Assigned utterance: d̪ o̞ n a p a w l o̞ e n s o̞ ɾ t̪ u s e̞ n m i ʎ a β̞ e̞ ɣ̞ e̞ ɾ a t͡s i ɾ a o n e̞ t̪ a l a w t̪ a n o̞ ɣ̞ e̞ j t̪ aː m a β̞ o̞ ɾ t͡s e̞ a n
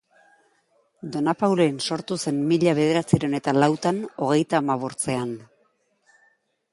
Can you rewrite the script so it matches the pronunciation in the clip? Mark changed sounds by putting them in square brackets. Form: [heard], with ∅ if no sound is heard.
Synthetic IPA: d̪ o̞ n a p a w l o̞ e n s o̞ ɾ t̪ u s e̞ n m i ʎ a β̞ e̞ [ð̞] e̞ ɾ a t͡s i ɾ [e] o n e̞ t̪ a l a w t̪ a n o̞ ɣ̞ e̞ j t̪ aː m a β̞ o̞ ɾ t͡s e̞ a n